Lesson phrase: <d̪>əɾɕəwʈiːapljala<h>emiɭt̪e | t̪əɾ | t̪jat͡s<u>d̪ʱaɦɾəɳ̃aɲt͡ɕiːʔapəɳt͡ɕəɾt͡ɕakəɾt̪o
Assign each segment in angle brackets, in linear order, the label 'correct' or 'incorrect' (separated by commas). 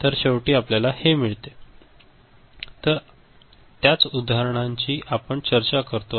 incorrect, correct, correct